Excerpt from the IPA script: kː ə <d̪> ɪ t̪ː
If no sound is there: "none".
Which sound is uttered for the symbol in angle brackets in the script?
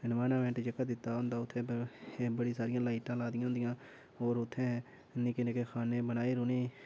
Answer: d̪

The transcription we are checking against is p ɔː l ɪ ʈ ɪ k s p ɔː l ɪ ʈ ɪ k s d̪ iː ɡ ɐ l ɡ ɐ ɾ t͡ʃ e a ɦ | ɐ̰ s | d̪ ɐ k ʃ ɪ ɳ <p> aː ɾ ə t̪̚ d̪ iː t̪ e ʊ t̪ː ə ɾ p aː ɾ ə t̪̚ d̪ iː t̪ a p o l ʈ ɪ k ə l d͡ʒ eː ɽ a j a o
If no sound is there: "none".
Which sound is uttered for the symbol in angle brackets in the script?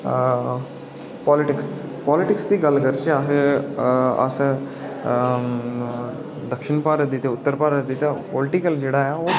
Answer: p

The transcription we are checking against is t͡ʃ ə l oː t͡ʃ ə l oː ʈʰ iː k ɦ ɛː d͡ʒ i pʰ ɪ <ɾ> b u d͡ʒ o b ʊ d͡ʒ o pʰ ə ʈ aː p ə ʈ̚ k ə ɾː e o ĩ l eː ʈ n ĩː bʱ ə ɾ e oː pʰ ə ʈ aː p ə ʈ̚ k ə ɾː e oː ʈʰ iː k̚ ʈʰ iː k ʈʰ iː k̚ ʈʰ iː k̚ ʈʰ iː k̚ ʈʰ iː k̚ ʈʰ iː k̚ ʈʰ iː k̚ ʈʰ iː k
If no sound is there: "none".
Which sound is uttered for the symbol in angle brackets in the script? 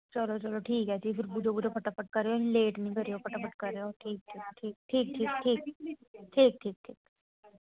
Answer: ɾ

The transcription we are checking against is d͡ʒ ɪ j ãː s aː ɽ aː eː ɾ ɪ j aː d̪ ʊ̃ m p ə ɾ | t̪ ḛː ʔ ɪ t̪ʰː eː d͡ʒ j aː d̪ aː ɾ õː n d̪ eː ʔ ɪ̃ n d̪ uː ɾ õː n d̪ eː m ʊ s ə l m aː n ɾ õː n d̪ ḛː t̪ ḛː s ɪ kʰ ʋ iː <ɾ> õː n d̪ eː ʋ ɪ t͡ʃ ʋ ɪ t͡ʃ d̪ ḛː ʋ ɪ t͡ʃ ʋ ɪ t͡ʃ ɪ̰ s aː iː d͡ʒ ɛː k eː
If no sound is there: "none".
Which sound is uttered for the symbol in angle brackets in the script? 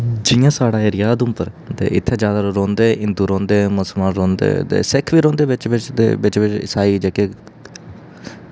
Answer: ɾ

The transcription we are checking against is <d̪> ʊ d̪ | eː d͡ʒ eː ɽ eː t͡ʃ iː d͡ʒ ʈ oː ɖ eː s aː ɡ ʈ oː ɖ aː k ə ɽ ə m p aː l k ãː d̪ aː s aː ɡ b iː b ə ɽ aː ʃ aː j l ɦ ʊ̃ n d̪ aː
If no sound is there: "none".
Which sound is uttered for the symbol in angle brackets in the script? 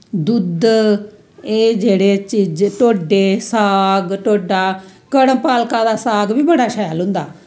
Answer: d̪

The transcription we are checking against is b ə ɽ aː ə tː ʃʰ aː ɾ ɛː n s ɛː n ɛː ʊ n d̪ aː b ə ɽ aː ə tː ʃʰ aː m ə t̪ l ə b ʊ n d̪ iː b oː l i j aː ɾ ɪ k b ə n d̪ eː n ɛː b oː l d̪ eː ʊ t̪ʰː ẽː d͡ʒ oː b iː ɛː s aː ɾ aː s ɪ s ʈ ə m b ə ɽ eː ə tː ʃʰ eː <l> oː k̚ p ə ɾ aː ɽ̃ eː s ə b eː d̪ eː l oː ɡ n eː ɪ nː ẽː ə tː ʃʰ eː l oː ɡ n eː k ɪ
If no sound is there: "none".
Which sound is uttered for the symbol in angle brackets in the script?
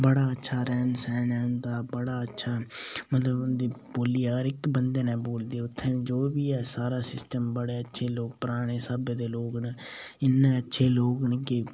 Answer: l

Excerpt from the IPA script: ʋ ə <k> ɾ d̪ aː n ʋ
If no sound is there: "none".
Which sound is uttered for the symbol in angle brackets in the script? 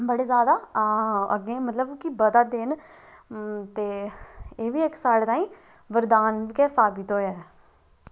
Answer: none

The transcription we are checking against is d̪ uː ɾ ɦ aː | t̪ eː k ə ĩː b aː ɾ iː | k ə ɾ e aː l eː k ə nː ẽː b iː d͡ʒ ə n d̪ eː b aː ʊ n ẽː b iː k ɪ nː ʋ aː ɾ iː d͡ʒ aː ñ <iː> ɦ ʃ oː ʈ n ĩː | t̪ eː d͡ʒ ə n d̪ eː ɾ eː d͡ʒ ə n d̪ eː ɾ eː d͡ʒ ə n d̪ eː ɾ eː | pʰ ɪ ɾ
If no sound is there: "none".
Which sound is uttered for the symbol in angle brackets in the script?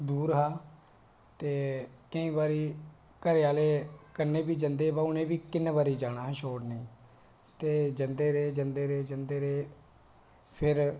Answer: aː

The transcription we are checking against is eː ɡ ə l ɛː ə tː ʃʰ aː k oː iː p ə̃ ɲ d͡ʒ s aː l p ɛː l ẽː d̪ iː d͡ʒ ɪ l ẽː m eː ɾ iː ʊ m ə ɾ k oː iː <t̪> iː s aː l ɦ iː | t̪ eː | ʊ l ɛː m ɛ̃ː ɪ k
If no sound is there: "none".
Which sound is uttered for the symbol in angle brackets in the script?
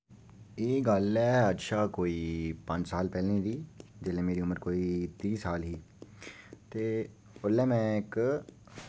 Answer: t̪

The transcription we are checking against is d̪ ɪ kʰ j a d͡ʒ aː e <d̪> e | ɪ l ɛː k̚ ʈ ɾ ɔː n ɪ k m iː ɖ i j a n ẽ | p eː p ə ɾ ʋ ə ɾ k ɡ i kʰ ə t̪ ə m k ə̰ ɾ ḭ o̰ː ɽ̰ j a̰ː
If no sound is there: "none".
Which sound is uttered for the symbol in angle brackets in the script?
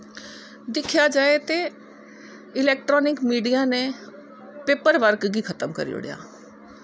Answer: t̪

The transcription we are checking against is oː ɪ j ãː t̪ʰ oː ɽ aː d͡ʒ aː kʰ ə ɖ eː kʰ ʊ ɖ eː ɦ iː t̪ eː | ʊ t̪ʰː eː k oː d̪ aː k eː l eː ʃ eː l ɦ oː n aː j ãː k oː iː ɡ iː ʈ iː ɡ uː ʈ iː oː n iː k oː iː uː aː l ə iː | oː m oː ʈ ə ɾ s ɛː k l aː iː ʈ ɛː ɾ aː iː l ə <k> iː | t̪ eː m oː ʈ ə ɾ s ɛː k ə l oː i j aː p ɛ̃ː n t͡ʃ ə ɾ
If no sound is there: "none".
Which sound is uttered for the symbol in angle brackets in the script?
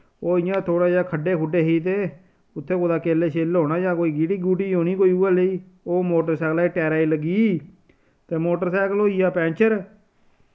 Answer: ɡ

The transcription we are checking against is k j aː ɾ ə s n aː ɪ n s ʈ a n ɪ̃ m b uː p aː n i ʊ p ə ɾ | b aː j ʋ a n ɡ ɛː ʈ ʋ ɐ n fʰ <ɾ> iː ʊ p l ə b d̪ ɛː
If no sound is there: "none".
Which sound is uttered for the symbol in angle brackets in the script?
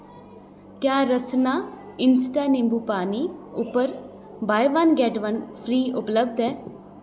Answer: ɾ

